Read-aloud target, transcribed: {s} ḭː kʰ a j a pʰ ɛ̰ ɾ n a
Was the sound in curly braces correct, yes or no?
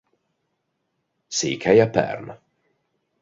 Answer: yes